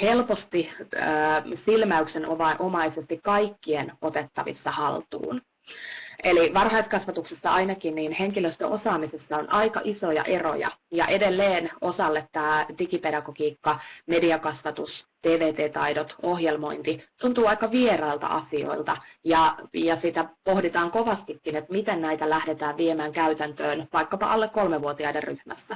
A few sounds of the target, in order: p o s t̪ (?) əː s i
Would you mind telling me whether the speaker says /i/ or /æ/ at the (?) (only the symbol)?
i